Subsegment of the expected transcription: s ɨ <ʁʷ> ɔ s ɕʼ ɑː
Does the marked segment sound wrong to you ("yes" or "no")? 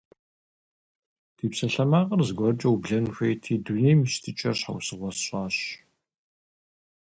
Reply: no